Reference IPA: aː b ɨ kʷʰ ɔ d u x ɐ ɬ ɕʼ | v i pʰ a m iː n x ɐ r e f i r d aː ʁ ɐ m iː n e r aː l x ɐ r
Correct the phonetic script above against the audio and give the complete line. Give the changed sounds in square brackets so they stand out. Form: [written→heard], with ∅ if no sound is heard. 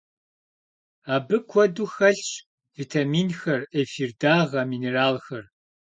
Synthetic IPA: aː b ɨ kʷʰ ɔ d u x ɐ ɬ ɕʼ | v i [pʰ→tʰ] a m iː n x ɐ r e f i r d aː ʁ ɐ m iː n e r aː l x ɐ r